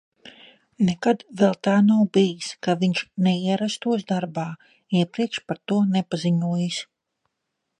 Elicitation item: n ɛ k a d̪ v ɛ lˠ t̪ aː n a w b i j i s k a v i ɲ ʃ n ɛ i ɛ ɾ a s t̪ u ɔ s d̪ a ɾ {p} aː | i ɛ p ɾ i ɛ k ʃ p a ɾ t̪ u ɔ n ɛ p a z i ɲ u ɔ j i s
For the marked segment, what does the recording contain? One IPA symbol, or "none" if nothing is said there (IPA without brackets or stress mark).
b